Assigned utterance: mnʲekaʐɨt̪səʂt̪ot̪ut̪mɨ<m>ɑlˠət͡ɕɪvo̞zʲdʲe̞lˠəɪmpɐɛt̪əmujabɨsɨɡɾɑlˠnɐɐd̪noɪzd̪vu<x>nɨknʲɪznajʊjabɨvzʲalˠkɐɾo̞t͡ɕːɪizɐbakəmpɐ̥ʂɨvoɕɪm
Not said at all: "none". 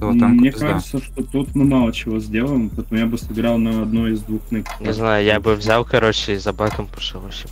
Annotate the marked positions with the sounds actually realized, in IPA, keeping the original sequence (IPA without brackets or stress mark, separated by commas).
m, x